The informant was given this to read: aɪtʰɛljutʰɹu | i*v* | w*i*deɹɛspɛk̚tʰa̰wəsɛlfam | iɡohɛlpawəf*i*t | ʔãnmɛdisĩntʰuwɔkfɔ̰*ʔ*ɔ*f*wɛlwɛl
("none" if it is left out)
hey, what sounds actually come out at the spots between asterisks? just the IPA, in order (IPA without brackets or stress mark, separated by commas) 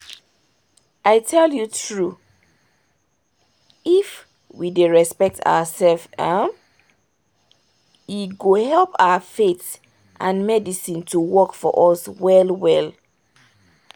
f, i, e, ʔ, s